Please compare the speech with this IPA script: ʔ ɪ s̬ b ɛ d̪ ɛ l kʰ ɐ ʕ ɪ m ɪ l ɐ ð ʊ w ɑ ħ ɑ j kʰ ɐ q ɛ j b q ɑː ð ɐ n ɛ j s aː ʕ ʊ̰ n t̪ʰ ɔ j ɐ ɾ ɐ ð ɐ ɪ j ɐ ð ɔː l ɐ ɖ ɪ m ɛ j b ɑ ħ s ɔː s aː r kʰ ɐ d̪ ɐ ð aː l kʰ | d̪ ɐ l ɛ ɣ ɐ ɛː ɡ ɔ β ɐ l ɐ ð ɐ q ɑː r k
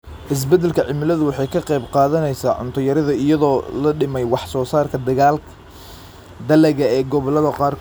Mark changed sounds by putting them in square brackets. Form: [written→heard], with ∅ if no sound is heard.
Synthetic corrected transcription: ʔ ɪ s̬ b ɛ d̪ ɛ l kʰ ɐ ʕ ɪ m ɪ l ɐ ð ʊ w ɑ ħ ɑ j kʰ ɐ q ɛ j b q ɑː ð ɐ n ɛ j s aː ʕ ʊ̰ n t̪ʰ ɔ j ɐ ɾ ɐ ð ɐ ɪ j ɐ ð ɔː l ɐ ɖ ɪ m ɛ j [b→w] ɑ ħ s ɔː s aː r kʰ ɐ d̪ ɐ [ð→ɣ] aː l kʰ | d̪ ɐ l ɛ ɣ ɐ ɛː ɡ ɔ β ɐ l ɐ ð ɐ q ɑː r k